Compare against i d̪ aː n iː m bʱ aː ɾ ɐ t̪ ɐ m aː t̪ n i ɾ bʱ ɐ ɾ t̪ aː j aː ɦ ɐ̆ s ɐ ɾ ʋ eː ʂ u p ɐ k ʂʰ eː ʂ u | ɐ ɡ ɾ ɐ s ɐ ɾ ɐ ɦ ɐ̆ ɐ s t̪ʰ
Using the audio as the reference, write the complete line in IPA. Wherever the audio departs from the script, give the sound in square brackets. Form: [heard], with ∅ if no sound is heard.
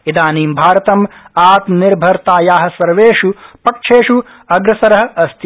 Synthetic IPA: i d̪ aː n iː m bʱ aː ɾ ɐ t̪ ɐ m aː t̪ n i ɾ bʱ ɐ ɾ t̪ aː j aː ɦ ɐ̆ s ɐ ɾ ʋ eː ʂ u p ɐ k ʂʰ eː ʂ u | ɐ ɡ ɾ ɐ s ɐ ɾ ɐ ɦ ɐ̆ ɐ s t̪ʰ